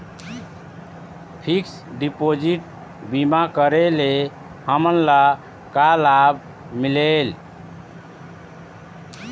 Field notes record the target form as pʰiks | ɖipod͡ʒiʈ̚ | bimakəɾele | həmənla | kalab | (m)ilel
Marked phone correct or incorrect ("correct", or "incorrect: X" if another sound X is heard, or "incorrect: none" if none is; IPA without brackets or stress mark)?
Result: correct